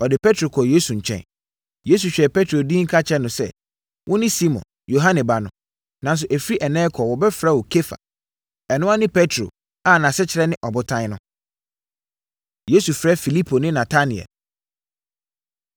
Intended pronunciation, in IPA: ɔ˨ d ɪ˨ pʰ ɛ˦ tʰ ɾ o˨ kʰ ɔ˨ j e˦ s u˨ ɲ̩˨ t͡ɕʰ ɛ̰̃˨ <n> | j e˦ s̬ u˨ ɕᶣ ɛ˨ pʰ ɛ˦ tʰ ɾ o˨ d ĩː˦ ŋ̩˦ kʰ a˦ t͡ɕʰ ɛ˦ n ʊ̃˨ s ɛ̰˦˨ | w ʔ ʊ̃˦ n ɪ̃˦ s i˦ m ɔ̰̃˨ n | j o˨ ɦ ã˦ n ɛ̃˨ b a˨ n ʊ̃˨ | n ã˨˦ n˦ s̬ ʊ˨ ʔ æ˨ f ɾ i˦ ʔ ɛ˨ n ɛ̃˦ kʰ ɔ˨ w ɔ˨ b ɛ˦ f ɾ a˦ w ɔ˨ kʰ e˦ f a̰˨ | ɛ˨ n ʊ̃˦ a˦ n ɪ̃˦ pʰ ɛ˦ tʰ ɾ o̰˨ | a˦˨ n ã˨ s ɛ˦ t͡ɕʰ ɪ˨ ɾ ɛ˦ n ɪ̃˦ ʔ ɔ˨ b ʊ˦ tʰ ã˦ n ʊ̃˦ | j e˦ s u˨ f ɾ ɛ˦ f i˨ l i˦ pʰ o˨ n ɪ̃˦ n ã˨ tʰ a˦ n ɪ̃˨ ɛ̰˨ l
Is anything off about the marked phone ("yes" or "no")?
no